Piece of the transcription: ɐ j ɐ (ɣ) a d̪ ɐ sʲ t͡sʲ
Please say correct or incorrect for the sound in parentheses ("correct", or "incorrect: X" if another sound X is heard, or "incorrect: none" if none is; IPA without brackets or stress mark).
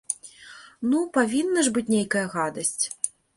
correct